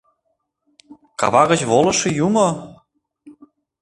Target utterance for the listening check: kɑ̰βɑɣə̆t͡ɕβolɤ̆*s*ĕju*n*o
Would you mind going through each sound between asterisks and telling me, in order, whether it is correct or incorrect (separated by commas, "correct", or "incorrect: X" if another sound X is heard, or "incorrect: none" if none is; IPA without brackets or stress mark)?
incorrect: ʃ, incorrect: m